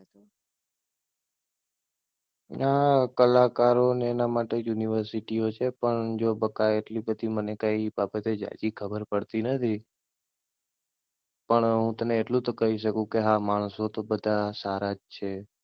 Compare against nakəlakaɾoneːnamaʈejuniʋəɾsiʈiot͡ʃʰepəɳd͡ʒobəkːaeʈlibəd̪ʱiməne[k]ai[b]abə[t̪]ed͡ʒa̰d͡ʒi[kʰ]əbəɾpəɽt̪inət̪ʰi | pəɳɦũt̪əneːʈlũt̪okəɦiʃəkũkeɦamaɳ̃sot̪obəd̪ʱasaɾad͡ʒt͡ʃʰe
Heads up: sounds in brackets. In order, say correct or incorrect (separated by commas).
correct, correct, correct, correct